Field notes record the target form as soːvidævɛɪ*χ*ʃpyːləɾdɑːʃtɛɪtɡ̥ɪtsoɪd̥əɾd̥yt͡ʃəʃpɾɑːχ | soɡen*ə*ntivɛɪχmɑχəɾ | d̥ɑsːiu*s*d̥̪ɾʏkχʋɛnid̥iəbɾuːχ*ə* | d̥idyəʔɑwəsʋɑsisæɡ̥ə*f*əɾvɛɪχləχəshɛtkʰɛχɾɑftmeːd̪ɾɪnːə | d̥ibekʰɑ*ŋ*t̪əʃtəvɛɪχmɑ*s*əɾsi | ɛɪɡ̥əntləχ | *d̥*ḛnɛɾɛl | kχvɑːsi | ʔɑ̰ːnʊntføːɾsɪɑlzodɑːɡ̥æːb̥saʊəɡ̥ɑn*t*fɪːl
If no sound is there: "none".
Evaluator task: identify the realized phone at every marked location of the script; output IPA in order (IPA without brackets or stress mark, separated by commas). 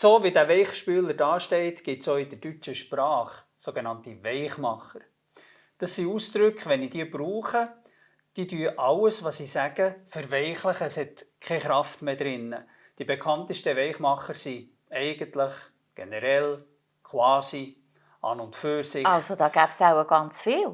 χ, ɑ, s, ə, f, n, χ, ɡ̥, t͡s